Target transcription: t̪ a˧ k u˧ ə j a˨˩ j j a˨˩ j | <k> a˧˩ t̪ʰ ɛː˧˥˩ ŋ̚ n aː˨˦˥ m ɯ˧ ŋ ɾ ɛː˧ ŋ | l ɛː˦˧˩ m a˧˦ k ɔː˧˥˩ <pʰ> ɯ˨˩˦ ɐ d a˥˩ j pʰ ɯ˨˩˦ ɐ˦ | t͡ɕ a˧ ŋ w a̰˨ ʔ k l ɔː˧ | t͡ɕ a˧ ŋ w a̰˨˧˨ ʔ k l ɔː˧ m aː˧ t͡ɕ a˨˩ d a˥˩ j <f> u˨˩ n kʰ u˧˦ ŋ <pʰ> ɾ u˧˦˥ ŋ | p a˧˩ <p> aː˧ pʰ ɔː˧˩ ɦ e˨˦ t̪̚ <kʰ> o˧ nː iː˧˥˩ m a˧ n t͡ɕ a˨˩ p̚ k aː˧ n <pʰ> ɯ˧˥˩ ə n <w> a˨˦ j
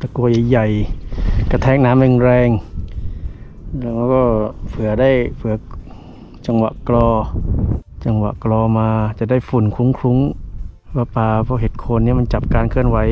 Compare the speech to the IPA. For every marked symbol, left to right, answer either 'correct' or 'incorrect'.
correct, correct, correct, incorrect: kʰ, correct, correct, incorrect: kʰ, correct

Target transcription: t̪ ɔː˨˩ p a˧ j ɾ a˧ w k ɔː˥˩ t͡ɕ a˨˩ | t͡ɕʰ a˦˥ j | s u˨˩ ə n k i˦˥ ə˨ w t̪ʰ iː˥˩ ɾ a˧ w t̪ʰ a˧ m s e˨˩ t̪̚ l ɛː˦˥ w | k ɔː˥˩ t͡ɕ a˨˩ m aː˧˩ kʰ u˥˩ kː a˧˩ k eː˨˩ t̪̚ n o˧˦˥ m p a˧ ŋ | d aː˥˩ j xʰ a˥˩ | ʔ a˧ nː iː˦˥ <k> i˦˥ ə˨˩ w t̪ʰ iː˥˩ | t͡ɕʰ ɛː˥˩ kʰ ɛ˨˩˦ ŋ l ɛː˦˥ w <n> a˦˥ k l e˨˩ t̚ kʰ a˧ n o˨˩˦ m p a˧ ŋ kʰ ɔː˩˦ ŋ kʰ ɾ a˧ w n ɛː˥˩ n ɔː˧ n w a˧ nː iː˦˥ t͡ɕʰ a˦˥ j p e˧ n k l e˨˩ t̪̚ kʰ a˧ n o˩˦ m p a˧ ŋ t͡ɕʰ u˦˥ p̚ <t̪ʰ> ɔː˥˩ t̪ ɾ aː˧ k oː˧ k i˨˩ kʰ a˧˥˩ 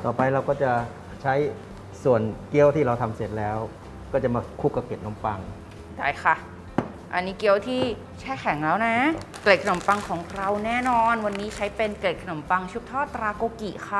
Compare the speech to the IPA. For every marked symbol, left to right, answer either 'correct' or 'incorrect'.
correct, correct, correct

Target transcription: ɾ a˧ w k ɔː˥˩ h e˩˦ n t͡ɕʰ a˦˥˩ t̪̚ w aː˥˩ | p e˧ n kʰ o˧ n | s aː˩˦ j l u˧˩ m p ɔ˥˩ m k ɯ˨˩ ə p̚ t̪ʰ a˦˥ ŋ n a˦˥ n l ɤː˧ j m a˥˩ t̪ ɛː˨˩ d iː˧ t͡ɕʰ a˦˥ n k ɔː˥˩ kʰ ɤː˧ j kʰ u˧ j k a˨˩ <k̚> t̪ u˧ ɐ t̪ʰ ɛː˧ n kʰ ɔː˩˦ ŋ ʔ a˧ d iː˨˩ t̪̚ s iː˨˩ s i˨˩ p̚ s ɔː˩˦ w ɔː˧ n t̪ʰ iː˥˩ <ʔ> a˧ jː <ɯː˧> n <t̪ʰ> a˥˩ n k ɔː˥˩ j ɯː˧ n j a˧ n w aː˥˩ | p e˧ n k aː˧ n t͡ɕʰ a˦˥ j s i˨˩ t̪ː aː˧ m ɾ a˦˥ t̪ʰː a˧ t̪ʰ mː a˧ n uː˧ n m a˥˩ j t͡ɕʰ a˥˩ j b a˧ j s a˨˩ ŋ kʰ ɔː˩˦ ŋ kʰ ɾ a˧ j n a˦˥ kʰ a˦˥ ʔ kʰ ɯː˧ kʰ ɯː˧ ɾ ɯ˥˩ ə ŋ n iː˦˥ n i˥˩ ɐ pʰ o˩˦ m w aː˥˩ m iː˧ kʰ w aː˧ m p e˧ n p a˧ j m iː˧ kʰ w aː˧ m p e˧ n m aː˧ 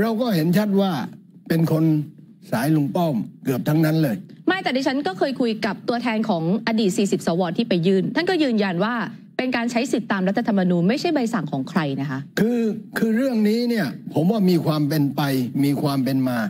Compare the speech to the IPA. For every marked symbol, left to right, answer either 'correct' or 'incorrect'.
incorrect: p̚, incorrect: p, incorrect: ɯː˥˩, correct

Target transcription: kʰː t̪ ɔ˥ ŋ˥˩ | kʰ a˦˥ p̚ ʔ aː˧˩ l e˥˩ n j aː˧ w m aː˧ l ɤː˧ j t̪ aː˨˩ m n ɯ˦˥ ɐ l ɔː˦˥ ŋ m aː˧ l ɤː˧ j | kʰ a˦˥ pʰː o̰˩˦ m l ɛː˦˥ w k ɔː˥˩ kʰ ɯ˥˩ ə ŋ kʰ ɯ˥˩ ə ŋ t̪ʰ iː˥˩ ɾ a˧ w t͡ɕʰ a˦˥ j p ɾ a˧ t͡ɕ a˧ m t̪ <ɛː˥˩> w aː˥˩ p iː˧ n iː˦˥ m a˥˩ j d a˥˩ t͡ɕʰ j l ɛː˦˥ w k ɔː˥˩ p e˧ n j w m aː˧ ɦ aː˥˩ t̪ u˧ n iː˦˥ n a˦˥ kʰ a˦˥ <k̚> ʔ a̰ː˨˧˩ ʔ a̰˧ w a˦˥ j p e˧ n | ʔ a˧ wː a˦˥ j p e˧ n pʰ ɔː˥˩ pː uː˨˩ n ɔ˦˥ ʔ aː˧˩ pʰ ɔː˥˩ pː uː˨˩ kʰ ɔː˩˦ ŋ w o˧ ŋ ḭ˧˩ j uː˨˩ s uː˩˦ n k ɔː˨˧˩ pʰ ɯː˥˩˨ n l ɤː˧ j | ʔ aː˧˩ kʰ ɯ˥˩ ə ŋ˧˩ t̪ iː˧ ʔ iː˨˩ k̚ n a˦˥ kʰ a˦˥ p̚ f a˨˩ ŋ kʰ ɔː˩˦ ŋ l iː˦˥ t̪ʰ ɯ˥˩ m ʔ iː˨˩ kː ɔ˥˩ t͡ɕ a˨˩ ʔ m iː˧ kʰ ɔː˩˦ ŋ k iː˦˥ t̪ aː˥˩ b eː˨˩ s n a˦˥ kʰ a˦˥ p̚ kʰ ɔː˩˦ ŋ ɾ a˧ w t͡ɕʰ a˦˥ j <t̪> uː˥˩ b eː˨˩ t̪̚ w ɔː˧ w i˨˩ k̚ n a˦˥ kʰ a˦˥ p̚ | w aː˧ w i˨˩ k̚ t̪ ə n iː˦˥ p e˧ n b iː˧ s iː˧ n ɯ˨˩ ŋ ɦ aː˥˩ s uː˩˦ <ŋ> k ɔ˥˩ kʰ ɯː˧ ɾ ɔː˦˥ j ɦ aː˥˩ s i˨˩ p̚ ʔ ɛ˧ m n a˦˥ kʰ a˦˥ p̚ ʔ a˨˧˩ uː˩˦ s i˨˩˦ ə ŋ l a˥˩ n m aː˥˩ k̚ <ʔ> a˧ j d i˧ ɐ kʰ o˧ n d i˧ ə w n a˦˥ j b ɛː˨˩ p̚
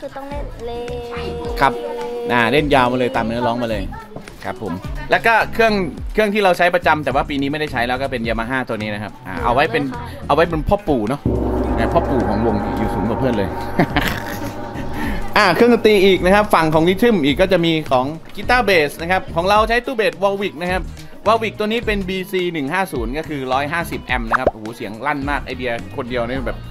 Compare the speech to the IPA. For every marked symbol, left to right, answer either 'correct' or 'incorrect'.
incorrect: ɛː˨˩, incorrect: p̚, correct, incorrect: n, correct

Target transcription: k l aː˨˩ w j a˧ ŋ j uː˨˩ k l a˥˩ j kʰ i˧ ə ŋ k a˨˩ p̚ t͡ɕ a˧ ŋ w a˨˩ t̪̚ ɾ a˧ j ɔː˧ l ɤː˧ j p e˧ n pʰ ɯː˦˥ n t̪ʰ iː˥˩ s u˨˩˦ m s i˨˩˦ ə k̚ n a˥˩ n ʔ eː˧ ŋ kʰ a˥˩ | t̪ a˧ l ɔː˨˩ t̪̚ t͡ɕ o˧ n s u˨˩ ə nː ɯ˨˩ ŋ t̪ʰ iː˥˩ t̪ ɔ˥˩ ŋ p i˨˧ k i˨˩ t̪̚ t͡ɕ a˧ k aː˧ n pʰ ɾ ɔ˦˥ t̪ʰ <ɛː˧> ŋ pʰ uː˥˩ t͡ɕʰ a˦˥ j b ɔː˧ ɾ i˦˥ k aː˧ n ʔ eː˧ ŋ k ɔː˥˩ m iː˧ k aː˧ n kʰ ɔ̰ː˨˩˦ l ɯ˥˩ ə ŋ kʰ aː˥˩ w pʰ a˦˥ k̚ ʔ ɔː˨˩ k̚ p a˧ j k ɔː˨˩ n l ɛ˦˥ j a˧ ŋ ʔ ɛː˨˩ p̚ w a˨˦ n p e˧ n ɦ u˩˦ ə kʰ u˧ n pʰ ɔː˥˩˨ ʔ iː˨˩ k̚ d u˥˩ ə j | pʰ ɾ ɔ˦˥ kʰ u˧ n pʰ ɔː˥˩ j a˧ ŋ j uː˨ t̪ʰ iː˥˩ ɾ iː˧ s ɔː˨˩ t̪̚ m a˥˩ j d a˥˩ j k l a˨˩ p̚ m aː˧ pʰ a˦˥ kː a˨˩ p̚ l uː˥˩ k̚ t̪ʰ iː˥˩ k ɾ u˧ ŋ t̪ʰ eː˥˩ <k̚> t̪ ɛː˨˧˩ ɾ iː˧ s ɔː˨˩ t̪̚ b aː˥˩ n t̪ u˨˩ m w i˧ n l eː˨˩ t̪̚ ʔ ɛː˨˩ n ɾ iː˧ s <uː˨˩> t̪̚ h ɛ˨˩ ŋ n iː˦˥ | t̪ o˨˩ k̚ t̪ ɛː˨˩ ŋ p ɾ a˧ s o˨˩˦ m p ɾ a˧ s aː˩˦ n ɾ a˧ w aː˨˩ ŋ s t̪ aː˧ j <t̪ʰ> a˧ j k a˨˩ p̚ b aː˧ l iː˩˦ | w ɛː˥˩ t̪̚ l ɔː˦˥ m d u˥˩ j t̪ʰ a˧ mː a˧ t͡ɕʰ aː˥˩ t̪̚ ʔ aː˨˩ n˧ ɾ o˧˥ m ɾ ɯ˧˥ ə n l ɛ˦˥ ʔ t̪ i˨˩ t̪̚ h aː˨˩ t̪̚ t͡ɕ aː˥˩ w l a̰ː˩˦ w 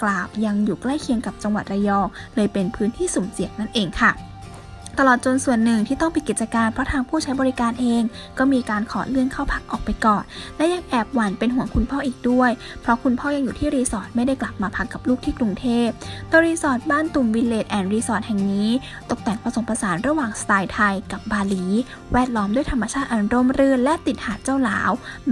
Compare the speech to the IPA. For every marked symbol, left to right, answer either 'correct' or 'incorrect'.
incorrect: aː˧, incorrect: p̚, incorrect: ɔː˨˩, correct

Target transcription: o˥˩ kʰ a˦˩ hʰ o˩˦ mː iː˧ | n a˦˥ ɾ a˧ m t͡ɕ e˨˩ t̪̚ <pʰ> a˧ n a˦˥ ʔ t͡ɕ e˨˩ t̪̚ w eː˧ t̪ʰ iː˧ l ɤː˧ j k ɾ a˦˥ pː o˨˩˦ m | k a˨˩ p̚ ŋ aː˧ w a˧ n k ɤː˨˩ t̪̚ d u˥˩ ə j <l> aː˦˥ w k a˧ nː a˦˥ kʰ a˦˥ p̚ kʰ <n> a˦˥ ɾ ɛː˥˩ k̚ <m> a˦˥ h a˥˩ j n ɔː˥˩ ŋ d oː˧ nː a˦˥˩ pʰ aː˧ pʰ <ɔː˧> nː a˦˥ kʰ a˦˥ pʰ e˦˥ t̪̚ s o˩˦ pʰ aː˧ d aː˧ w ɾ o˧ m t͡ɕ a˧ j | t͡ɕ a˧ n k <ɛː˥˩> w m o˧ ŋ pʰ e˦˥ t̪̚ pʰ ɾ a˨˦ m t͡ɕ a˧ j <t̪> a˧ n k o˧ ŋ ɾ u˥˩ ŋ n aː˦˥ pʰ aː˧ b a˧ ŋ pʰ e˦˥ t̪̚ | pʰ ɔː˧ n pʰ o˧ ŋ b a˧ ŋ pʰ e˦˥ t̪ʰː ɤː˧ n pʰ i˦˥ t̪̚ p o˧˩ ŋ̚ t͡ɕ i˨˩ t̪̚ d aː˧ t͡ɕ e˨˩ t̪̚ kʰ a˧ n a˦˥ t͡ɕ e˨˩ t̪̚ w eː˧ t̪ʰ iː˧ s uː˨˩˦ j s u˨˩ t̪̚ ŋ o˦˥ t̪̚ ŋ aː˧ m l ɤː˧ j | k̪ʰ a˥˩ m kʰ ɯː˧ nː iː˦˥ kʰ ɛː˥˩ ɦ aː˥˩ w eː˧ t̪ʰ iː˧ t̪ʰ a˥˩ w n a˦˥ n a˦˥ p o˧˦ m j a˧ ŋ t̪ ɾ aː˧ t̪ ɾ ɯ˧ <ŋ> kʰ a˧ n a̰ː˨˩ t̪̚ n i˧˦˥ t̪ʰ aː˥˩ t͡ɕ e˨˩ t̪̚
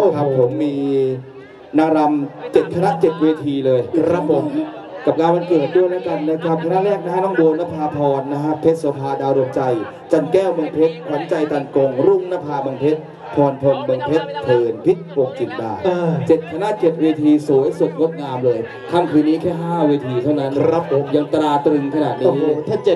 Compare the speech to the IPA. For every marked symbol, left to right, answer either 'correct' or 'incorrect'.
incorrect: kʰ, correct, correct, incorrect: n, correct, correct, correct, correct

